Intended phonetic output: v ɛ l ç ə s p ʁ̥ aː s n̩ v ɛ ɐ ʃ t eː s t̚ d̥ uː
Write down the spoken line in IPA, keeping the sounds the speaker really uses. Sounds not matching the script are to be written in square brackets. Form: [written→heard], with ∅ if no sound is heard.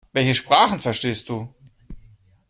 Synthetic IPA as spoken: v ɛ l ç ə [s→ʃ] p ʁ̥ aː [s→χ] n̩ [v→f] ɛ ɐ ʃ t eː s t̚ d̥ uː